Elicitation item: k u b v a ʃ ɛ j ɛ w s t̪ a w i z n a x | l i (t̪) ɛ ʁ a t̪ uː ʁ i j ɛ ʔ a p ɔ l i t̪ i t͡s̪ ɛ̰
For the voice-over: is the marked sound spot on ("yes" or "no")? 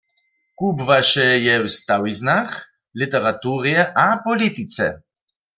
yes